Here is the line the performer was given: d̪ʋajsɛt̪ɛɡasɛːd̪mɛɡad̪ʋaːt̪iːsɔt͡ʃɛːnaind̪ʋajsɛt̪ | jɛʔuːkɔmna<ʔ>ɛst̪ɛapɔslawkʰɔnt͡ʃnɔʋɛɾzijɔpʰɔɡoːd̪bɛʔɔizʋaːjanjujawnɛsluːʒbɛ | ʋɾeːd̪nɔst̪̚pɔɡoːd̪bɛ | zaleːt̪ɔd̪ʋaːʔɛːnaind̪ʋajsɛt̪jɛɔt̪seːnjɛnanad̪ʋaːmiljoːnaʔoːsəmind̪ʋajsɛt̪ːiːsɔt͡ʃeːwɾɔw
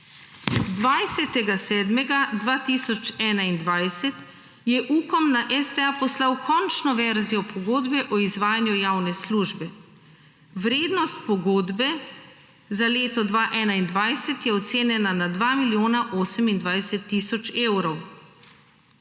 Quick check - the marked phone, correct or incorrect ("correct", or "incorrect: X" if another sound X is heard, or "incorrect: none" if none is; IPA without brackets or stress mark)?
correct